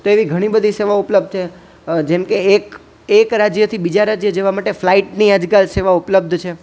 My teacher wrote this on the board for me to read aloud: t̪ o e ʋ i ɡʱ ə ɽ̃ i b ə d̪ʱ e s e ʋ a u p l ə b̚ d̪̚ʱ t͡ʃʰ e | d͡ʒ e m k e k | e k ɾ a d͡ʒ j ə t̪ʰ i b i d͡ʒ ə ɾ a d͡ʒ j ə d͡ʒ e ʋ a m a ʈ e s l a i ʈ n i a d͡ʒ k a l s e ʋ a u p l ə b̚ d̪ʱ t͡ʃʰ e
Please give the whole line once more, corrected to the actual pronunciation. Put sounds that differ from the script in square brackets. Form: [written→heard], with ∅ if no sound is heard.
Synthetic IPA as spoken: t̪ o e ʋ i ɡʱ ə ɽ̃ i b ə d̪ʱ [e→i] s e ʋ a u p l ə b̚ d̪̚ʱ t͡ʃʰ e | d͡ʒ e m k e k | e k ɾ a d͡ʒ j ə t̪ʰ i b i d͡ʒ [ə→a] ɾ a d͡ʒ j ə d͡ʒ e ʋ a m a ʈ e [s→f] l a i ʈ n i a d͡ʒ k a l s e ʋ a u p l ə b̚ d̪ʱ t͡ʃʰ e